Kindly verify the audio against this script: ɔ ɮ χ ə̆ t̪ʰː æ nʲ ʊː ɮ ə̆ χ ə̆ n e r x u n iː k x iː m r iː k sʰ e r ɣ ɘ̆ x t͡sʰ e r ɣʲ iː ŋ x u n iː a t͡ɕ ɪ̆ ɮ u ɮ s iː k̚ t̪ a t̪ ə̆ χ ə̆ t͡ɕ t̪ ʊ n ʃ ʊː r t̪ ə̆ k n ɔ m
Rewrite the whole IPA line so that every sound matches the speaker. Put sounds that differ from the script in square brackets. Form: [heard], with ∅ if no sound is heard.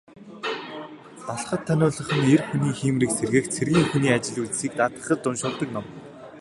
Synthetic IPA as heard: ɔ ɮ χ ə̆ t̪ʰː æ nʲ ʊː ɮ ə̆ χ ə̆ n e r x u n iː [∅] x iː m r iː k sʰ e r ɣ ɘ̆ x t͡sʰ e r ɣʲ iː ŋ x u n iː a t͡ɕ ɪ̆ ɮ u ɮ s iː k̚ t̪ a t̪ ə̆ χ ə̆ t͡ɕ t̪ ʊ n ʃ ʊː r t̪ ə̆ k n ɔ m